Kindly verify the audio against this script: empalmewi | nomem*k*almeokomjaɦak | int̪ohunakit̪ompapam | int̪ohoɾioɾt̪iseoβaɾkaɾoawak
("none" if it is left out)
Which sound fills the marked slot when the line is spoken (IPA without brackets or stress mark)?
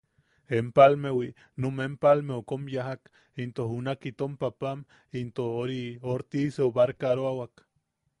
p